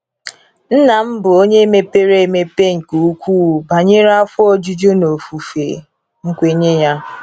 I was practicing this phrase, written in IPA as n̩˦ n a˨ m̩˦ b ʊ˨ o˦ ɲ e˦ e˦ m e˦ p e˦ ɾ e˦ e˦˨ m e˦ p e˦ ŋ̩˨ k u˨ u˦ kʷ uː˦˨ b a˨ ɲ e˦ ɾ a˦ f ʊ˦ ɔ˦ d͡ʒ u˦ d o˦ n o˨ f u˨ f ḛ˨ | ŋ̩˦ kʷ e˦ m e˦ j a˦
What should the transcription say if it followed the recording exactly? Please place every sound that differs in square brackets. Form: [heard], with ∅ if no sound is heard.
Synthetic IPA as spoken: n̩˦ n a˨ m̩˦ b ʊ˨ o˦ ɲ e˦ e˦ m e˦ p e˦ ɾ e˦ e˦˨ m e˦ p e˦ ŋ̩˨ k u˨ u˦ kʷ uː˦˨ b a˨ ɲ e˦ ɾ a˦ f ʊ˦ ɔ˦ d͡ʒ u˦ [d͡ʒ] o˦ n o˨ f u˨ f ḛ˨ | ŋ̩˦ kʷ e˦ [ɲ] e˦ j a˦